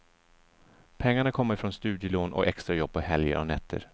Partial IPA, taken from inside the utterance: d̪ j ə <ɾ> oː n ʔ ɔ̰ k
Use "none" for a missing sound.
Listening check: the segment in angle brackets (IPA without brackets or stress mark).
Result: l